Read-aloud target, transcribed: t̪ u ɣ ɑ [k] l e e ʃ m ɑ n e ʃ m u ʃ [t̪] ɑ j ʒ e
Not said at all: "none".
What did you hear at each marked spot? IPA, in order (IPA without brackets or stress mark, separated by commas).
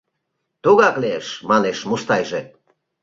k, t̪